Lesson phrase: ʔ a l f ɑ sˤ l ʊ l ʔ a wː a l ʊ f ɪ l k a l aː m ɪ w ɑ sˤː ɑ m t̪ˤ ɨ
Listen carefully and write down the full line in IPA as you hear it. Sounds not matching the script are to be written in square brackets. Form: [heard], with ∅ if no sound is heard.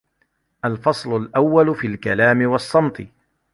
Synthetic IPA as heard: ʔ a l f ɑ sˤ l ʊ l ʔ a wː a l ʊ f [i] l k a l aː m ɪ w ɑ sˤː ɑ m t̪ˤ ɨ